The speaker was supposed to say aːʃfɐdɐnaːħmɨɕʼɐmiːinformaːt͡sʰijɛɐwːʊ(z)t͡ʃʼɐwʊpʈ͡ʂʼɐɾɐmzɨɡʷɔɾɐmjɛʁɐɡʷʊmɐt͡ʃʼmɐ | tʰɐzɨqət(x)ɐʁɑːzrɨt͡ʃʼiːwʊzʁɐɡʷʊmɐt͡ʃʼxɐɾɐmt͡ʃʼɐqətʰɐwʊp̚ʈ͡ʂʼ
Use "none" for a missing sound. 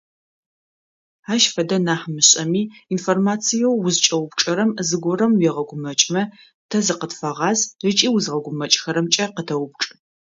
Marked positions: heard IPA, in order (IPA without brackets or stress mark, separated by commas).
z, f